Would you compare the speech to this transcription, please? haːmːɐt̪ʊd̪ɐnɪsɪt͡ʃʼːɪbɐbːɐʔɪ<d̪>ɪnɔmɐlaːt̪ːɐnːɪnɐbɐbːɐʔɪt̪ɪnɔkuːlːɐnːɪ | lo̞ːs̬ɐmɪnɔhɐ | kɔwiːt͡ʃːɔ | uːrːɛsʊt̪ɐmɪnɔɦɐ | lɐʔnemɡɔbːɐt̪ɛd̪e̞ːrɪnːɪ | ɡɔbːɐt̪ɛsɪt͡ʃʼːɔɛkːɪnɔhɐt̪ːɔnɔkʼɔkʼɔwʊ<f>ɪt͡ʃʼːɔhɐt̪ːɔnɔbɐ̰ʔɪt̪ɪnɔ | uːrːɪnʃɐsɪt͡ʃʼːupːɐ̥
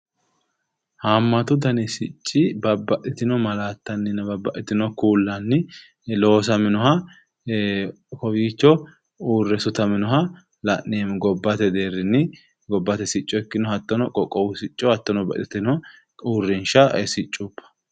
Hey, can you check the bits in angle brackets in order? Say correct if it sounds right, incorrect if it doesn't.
incorrect: t̪, incorrect: s

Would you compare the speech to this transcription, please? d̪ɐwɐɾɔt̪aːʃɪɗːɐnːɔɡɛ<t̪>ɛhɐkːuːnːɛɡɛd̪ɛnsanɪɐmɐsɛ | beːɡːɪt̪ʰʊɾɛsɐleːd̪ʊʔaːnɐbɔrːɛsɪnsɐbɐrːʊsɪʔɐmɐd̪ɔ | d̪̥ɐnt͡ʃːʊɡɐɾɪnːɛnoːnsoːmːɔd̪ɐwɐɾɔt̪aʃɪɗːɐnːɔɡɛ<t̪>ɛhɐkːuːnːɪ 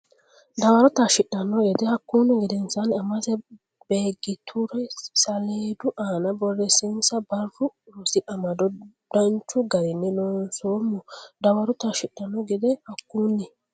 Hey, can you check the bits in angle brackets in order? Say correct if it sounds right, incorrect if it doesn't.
incorrect: d̪, incorrect: d̪

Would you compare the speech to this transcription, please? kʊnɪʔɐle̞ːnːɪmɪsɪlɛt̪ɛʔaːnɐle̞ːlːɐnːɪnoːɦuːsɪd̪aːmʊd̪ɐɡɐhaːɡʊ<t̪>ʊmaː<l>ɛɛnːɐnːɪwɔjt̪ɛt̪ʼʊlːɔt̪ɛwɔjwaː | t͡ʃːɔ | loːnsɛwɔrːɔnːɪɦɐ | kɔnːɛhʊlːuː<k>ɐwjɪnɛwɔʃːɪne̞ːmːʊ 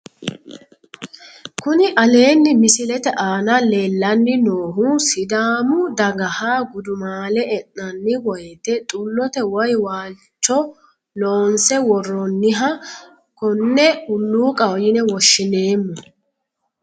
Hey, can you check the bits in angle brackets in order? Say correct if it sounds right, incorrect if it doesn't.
incorrect: d̪, correct, incorrect: kʼ

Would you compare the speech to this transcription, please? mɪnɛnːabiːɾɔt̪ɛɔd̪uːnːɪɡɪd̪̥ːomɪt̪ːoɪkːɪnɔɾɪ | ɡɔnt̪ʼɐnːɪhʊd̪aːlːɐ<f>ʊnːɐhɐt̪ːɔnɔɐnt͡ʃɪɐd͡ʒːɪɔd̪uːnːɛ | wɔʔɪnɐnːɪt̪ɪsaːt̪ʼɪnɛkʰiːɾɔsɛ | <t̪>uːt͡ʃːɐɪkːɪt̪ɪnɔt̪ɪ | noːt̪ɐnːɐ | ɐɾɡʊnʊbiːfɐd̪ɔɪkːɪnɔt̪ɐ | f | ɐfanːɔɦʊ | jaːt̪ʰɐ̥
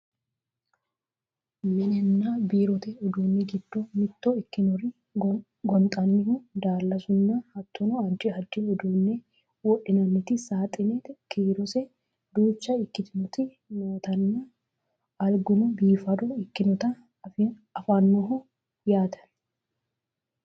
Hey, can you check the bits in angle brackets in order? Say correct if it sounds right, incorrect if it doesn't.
incorrect: s, incorrect: d̪

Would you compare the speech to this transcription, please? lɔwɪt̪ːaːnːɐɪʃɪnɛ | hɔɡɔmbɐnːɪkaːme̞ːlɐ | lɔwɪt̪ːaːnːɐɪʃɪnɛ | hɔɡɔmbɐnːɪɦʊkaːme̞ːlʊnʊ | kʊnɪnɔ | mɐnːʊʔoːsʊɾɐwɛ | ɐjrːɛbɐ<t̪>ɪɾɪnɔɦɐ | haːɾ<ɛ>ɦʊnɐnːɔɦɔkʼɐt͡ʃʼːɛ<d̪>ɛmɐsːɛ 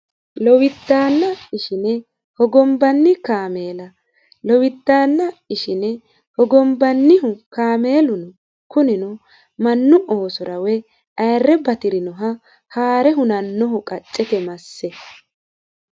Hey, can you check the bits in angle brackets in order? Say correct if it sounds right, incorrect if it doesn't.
correct, correct, incorrect: t̪

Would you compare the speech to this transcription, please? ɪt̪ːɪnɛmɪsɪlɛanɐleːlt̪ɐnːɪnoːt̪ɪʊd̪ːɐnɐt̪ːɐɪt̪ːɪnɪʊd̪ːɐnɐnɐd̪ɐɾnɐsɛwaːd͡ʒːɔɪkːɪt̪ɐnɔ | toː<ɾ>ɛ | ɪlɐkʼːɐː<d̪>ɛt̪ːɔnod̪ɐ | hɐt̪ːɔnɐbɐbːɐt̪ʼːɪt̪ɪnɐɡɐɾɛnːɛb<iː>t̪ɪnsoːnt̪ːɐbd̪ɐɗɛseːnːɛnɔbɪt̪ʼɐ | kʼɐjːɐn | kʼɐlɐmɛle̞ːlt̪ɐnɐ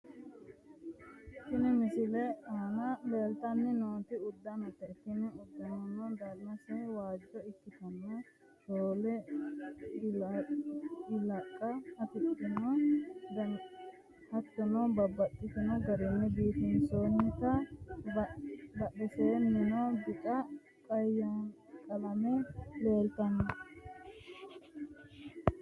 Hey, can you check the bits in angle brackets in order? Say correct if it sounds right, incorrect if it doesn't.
incorrect: l, incorrect: t̪, correct

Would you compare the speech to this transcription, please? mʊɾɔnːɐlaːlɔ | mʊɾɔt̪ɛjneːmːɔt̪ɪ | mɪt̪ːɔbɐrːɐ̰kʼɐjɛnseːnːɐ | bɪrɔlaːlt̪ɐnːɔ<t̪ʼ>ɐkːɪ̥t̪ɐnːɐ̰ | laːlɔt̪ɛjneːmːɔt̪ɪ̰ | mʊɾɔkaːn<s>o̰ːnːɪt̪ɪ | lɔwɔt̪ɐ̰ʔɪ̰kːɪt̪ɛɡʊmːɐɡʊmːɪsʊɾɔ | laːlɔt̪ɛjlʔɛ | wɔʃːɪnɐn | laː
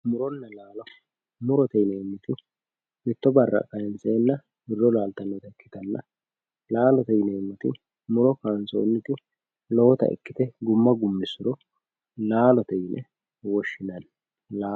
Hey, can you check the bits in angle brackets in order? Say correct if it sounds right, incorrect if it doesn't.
incorrect: t̪, correct

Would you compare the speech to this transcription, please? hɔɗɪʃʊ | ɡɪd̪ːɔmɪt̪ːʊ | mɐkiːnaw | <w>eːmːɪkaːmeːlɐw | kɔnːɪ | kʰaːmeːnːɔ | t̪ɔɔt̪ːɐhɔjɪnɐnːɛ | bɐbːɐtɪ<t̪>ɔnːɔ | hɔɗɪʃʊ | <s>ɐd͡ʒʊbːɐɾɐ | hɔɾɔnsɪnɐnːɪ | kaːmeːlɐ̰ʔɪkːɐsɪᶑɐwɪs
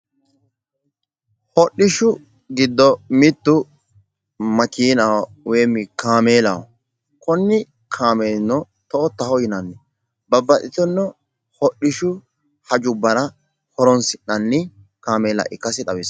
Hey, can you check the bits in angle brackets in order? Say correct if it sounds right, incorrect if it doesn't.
correct, correct, incorrect: h

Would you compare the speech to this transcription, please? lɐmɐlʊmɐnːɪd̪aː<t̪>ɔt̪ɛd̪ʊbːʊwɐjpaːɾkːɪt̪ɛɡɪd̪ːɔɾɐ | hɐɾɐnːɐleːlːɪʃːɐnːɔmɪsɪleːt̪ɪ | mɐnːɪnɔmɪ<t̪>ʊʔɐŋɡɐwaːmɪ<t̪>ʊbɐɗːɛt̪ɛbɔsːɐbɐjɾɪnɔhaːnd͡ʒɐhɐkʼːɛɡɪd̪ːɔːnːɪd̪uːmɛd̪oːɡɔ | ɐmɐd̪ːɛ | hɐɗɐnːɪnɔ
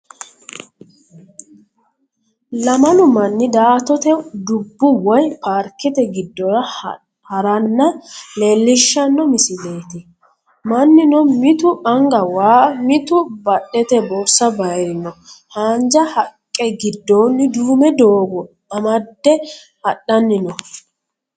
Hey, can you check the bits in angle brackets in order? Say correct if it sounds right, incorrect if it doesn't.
correct, correct, correct

